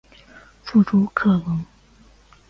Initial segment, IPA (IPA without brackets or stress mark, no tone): f